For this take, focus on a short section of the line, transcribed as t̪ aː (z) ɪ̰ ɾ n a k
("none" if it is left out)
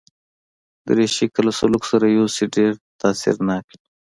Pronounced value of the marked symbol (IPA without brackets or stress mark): s